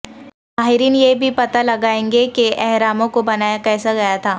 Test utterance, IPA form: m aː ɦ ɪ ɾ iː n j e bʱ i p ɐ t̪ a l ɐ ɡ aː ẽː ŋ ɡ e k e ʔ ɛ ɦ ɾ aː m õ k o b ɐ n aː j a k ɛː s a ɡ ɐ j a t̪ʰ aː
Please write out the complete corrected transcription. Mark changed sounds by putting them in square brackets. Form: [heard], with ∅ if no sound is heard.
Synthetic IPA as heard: m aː ɦ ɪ ɾ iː n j e bʱ i p ɐ t̪ a l ɐ ɡ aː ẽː ŋ ɡ e k e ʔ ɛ ɦ ɾ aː m õ k o b ɐ n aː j a k ɛː s a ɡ ɐ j a t̪ʰ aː